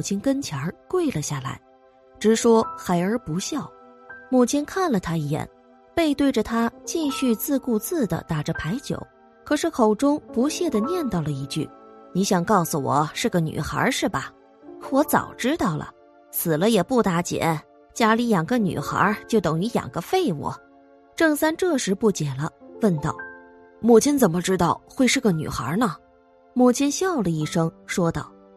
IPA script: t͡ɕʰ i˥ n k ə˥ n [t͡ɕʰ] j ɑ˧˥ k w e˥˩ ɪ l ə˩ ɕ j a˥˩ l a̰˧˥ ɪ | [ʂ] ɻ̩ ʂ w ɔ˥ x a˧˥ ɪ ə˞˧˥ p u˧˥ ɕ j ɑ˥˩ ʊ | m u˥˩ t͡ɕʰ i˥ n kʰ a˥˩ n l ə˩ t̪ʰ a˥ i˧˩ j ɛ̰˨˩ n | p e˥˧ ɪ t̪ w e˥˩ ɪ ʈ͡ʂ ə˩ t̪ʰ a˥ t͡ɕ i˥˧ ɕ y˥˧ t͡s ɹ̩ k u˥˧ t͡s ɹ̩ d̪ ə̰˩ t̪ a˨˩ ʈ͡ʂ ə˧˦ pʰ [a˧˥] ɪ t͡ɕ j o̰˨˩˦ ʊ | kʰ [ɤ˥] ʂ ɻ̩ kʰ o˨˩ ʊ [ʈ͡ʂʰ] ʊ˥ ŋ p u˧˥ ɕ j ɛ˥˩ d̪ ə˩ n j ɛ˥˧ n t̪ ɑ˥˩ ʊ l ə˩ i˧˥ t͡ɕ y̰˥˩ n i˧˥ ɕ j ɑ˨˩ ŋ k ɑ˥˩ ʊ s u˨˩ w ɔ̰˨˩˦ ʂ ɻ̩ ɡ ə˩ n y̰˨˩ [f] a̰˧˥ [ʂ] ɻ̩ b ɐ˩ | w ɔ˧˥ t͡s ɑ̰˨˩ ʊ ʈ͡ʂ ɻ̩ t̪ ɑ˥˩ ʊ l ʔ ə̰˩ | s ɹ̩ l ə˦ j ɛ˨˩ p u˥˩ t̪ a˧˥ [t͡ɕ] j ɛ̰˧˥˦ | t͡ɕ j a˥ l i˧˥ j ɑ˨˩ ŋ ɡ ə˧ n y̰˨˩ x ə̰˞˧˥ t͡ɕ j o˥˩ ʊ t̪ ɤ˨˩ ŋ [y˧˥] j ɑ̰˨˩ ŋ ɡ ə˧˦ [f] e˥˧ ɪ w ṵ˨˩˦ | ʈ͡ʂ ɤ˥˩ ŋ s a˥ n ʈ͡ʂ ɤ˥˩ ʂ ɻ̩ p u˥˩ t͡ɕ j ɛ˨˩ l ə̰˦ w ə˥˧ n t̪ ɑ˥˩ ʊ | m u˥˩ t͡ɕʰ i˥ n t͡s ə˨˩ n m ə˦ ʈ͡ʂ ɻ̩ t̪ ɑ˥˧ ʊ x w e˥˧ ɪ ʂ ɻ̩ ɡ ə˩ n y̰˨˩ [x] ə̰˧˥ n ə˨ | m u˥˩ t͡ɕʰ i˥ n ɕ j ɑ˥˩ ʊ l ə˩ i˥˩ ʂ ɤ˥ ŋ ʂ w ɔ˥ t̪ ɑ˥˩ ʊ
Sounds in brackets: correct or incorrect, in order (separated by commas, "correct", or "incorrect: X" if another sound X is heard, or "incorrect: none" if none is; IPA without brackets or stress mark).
correct, incorrect: ʈ͡ʂ, correct, incorrect: ɤ˨˩, incorrect: ʈ͡ʂ, incorrect: x, correct, correct, correct, correct, correct